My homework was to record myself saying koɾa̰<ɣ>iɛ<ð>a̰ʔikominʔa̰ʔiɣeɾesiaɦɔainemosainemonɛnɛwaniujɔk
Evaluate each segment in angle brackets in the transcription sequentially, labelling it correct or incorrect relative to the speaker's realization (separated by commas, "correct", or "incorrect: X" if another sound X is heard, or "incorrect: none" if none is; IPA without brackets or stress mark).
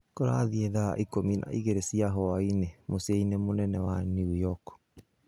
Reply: incorrect: ð, correct